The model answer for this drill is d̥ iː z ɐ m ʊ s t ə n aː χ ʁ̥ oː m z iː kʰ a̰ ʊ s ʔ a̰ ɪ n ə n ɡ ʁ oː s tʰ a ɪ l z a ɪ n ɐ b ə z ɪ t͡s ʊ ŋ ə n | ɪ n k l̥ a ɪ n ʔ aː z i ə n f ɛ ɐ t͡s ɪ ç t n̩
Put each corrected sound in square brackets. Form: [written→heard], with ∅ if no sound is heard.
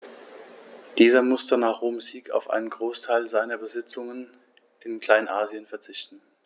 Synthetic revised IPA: d̥ iː z ɐ m ʊ s t ə n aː χ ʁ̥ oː m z iː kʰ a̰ ʊ [s→f] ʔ a̰ ɪ n ə n ɡ ʁ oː s tʰ a ɪ l z a ɪ n ɐ b ə z ɪ t͡s ʊ ŋ ə n | ɪ n k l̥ a ɪ n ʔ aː z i ə n f ɛ ɐ t͡s ɪ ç t n̩